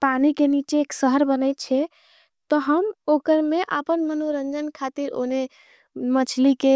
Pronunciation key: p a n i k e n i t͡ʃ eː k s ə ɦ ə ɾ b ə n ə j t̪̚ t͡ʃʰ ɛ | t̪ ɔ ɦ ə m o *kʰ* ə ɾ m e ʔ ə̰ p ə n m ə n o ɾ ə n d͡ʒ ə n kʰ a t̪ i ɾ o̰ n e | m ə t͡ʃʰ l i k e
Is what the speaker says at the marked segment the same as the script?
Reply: no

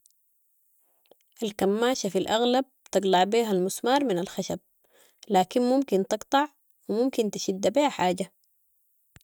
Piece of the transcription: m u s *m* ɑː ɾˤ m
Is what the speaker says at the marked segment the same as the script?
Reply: yes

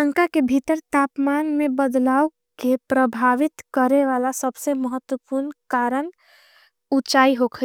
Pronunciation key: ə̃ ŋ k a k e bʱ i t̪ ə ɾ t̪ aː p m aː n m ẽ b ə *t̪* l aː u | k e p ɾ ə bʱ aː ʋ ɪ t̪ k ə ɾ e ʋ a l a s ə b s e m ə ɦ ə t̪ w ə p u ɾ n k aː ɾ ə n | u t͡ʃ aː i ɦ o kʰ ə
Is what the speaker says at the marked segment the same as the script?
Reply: no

